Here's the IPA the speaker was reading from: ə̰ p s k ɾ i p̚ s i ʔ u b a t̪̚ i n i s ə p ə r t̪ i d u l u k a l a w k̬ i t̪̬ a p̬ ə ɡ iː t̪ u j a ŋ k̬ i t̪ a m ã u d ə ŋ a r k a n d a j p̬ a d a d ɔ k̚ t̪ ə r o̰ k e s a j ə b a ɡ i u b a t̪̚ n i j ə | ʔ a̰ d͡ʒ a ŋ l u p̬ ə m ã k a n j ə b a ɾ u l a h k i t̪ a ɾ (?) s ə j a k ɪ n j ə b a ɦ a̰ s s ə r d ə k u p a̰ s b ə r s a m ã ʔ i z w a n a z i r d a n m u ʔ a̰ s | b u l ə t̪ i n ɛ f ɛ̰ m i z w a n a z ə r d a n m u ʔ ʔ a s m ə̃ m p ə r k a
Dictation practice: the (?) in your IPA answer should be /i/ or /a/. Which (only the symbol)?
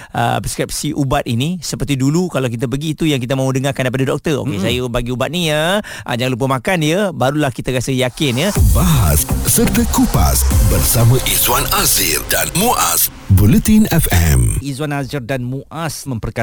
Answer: a